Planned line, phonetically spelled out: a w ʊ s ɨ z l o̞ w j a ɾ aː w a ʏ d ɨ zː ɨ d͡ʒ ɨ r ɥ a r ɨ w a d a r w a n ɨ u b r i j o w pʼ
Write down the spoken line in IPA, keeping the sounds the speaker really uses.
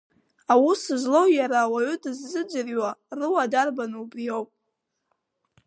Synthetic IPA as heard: a w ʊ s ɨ z l o̞ w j a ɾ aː w a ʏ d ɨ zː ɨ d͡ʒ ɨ r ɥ a r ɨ w a d a r b a n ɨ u b r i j o w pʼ

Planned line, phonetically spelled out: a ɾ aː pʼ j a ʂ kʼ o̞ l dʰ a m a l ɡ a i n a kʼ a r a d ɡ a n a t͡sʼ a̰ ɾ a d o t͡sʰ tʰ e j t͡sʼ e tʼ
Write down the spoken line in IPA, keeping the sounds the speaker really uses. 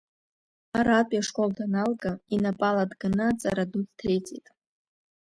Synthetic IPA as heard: a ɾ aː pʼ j a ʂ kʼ o̞ l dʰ a n a l ɡ a i n a pʼ a l a d ɡ a n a t͡sʼ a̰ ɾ a d u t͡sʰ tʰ e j t͡sʼ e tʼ

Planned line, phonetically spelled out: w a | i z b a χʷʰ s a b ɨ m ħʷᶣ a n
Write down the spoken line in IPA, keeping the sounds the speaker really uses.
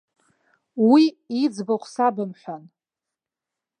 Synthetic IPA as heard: w i | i d͡z b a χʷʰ s a b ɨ m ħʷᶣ a n

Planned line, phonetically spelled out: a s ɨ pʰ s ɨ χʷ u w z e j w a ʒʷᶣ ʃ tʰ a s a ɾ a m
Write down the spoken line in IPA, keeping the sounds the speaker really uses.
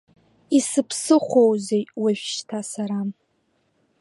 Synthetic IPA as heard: i s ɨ pʰ s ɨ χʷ o w z e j w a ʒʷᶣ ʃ tʰ a s a ɾ a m

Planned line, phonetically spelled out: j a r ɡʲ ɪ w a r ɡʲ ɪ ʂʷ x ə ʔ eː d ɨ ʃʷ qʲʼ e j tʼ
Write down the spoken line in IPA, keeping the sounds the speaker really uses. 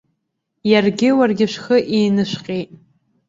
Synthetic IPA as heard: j a r ɡʲ ɪ w a r ɡʲ ɪ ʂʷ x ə ʔ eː n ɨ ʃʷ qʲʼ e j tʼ

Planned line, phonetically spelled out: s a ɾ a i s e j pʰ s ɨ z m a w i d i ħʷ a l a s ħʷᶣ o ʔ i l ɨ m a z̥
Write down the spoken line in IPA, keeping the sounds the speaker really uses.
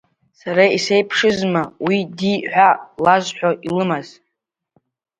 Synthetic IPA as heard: s a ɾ a i s e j pʰ ʂ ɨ z m a w i d i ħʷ a l a z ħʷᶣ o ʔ i l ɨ m a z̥

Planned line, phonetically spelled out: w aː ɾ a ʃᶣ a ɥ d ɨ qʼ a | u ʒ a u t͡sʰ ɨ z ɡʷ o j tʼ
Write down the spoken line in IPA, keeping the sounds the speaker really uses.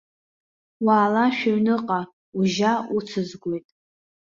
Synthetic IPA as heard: w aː l a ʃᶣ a ɥ n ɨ qʼ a | u ʒ a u t͡sʰ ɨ z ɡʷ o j tʼ

